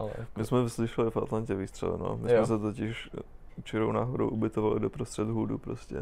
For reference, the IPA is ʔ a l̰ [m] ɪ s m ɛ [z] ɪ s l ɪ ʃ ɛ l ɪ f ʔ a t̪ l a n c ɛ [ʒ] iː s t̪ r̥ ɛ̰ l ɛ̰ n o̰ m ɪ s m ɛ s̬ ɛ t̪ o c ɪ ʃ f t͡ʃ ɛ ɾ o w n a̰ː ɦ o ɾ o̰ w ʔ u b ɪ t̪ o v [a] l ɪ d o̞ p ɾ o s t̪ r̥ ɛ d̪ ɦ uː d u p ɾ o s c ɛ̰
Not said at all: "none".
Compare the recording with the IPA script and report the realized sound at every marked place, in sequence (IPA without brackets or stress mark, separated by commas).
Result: m, v, v, a